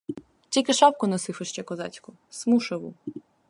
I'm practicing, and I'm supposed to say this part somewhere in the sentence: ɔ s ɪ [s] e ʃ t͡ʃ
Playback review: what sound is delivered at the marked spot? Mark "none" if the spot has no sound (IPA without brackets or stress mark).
f